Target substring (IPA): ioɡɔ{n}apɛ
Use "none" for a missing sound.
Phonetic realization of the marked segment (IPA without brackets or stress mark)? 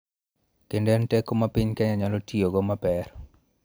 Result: m